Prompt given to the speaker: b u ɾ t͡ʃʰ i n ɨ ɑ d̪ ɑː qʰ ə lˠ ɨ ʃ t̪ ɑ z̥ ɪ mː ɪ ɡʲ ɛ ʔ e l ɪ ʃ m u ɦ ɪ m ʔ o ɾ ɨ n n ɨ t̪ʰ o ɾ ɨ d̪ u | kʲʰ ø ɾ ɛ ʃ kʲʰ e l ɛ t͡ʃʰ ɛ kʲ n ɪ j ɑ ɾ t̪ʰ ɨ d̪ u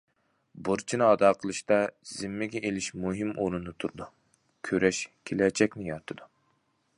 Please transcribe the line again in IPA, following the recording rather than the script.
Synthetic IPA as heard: b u ɾ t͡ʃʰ i n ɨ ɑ d̪ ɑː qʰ ə lˠ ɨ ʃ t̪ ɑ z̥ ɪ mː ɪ ɡʲ ɛ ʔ e l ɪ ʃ m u ɦ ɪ m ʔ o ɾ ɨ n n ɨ t̪ʰ u ɾ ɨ d̪ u | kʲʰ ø ɾ ɛ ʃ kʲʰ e l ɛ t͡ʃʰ ɛ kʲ n ɪ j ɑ ɾ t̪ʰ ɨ d̪ u

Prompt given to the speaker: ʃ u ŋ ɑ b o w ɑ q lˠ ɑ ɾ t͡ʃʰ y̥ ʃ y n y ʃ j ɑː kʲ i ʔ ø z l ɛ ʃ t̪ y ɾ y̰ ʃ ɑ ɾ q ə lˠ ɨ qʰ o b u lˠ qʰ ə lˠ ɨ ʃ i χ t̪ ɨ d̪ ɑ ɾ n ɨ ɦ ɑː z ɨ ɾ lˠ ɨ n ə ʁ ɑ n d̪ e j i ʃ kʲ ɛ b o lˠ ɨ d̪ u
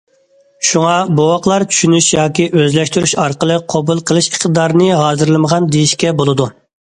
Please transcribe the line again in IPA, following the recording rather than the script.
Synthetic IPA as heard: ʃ u ŋ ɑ b o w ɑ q lˠ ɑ ɾ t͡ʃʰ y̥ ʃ y n y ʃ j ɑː kʲ i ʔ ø z l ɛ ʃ t̪ y ɾ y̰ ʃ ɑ ɾ q ə lˠ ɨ qʰ o b u lˠ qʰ ə lˠ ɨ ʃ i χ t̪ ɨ d̪ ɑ ɾ n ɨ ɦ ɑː z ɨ ɾ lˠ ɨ m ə ʁ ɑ n d̪ e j i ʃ kʲ ɛ b o lˠ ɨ d̪ u

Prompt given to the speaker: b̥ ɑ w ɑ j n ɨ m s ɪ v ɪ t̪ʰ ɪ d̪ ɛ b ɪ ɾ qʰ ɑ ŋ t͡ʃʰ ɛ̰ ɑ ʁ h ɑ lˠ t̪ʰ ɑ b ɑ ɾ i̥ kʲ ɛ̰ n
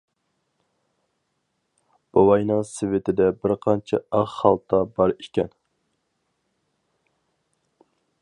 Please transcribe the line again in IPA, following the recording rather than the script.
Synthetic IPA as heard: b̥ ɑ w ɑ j n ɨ ŋ s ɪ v ɪ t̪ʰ ɪ d̪ ɛ b ɪ ɾ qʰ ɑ n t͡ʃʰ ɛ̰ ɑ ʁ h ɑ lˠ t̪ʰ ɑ b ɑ ɾ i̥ kʲ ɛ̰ n

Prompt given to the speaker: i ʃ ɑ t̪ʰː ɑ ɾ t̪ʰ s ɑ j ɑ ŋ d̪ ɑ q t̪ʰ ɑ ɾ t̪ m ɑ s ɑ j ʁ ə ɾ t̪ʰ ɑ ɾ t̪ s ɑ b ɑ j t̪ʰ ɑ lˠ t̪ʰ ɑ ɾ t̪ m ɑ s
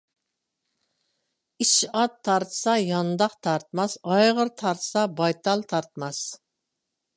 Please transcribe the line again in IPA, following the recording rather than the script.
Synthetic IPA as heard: i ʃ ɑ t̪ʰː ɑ ɾ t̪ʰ s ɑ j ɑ n d̪ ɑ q t̪ʰ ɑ ɾ t̪ m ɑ s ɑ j ʁ ə ɾ t̪ʰ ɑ ɾ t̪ s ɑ b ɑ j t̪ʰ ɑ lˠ t̪ʰ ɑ ɾ t̪ m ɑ s

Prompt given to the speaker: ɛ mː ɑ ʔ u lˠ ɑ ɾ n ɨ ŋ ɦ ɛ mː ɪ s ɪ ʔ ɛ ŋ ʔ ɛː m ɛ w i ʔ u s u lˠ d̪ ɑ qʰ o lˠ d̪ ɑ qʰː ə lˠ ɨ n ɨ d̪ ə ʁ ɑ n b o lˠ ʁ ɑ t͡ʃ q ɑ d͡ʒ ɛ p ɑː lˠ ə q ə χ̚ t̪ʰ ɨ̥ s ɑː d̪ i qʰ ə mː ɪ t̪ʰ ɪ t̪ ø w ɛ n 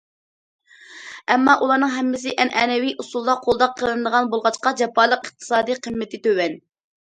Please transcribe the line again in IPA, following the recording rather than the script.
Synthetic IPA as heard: ɛ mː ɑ ʔ u lˠ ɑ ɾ n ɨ ŋ ɦ ɛ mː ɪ s ɪ ʔ ɛ n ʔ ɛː n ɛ w i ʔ u s u lˠ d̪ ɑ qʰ o lˠ d̪ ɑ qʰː ə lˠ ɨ n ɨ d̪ ə ʁ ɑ n b o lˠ ʁ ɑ t͡ʃ q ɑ d͡ʒ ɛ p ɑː lˠ ə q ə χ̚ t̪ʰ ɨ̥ s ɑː d̪ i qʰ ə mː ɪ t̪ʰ ɪ t̪ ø w ɛ n

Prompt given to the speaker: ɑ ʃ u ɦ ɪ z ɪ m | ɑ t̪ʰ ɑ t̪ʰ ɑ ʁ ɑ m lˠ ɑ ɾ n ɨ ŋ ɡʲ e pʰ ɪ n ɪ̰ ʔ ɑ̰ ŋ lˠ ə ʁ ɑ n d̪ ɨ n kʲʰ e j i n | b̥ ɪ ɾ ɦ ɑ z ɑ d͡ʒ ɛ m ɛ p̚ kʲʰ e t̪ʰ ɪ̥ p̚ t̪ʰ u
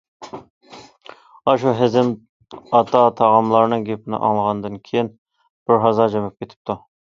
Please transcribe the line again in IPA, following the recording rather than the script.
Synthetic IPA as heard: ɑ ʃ u ɦ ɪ z ɪ m | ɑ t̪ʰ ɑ t̪ʰ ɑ ʁ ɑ m lˠ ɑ ɾ n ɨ ŋ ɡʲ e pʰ ɪ n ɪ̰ ʔ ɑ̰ ŋ lˠ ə ʁ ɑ n d̪ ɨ n kʲʰ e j i n | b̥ ɪ ɾ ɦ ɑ z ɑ d͡ʒ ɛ m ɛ p̚ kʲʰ e t̪ʰ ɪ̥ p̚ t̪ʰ u

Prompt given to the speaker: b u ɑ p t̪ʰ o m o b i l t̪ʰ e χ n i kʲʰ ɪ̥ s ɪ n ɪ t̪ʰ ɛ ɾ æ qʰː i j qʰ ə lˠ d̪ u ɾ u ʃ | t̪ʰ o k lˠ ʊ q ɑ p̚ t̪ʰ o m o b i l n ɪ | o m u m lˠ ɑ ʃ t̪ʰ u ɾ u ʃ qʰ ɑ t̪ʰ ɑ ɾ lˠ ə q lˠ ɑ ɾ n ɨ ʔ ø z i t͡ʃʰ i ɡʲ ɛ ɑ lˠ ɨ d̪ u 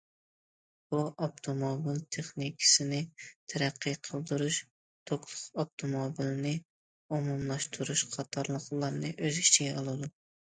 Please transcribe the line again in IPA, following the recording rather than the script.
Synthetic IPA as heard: b u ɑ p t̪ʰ o m o b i l t̪ʰ e χ n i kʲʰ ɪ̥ s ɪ n ɪ t̪ʰ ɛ ɾ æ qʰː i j qʰ ə lˠ d̪ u ɾ u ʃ | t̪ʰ o k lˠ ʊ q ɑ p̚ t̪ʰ o m o b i l n ɪ | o m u m lˠ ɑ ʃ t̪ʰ u ɾ u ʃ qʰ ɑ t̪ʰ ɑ ɾ lˠ ə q lˠ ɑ ɾ n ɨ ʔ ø z i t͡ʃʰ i ɡʲ ɛ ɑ lˠ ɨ d̪ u

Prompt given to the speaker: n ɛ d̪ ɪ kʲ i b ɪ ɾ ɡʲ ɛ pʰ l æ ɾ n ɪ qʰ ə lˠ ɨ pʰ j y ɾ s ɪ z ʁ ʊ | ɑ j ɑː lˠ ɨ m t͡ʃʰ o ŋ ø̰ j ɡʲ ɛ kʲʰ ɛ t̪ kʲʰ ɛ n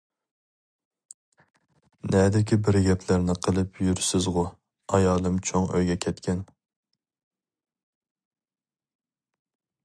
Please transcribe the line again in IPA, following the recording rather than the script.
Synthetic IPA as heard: n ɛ d̪ ɪ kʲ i b ɪ ɾ ɡʲ ɛ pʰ l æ ɾ n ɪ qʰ ə lˠ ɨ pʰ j y ɾ s ɪ z ʁ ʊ | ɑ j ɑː lˠ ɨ m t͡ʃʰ o ŋ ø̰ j ɡʲ ɛ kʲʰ ɛ t̪ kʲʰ ɛ n

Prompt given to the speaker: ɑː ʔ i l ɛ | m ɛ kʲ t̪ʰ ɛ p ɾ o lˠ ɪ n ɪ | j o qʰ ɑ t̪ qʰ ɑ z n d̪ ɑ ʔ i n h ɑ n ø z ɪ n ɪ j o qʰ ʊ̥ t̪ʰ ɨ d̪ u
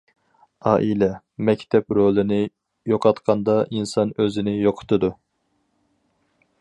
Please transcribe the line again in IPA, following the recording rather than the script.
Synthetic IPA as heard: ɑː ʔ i l ɛ | m ɛ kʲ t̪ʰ ɛ p ɾ o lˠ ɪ n ɪ | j o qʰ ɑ t̪ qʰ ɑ n d̪ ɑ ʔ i n s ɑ n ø z ɪ n ɪ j o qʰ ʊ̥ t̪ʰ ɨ d̪ u

